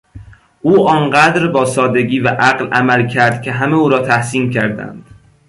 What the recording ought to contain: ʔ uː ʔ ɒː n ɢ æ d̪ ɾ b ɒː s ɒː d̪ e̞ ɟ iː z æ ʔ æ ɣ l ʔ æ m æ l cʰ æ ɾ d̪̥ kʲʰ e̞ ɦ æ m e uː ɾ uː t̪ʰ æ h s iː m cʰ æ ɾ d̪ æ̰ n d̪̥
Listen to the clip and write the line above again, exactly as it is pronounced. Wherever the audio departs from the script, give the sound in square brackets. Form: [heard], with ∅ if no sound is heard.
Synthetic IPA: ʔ uː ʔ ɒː n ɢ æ d̪ ɾ b ɒː s ɒː d̪ e̞ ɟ iː [v] æ ʔ æ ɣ l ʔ æ m æ l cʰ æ ɾ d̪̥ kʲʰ e̞ ɦ æ m e uː ɾ [ɒː] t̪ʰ æ h s iː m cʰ æ ɾ d̪ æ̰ n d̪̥